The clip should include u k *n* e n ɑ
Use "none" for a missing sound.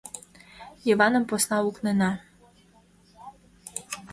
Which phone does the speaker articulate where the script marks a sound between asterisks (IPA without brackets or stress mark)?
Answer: n